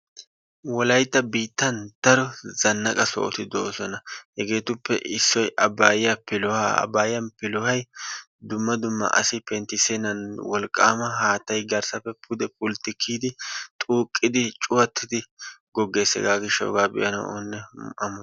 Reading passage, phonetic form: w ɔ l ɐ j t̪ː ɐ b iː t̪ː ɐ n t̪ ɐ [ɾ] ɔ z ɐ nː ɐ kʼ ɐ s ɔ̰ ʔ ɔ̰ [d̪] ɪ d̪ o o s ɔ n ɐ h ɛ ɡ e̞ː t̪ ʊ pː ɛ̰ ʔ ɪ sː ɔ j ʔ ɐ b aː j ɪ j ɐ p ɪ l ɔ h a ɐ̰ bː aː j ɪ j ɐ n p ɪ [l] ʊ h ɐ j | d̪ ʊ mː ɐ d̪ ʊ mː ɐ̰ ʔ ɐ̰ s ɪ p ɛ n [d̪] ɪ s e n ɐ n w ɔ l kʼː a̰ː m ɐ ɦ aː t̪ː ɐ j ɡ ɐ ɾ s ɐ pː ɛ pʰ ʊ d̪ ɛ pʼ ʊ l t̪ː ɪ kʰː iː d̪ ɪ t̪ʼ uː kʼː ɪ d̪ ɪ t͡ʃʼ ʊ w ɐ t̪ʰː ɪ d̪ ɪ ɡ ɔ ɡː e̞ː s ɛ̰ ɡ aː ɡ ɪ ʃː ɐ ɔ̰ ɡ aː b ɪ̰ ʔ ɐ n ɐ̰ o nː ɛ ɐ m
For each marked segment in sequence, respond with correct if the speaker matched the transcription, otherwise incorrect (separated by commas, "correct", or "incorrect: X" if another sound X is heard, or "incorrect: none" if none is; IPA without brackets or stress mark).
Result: correct, incorrect: t̪, correct, incorrect: t̪